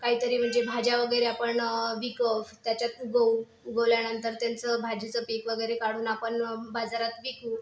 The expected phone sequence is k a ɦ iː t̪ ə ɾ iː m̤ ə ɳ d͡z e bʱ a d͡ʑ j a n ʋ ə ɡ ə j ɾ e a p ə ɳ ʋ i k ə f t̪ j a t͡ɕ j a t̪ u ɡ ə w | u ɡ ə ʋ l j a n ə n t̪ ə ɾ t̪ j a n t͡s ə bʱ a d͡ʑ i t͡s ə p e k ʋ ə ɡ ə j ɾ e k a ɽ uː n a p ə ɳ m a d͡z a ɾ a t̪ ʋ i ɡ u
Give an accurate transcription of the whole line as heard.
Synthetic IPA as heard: k a ɦ iː t̪ ə ɾ iː m̤ ə ɳ d͡z e bʱ a d͡ʑ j a ʋ ə ɡ ə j ɾ e a p ə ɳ ʋ i k ə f t̪ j a t͡ɕ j a t̪ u ɡ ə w | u ɡ ə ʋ l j a n ə n t̪ ə ɾ t̪ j a n t͡s ə bʱ a d͡ʑ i t͡s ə p e k ʋ ə ɡ ə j ɾ e k a ɽ uː n a p ə ɳ b a d͡z a ɾ a t̪ ʋ i k u